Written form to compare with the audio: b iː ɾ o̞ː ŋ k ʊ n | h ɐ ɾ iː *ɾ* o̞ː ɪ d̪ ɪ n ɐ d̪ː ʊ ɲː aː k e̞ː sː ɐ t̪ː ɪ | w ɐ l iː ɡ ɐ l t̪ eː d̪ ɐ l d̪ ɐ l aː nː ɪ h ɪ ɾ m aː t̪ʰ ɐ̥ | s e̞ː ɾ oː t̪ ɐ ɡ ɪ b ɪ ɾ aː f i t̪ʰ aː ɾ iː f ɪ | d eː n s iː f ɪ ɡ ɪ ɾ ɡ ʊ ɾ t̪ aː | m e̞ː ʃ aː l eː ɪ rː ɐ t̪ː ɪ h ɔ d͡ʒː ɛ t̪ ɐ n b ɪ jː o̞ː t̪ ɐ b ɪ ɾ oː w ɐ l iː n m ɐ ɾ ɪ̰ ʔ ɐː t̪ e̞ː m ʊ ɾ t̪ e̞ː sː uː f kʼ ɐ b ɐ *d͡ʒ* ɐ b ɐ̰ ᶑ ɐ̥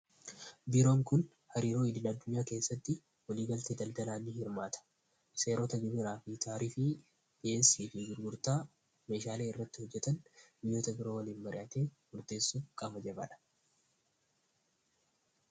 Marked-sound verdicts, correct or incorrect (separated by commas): correct, correct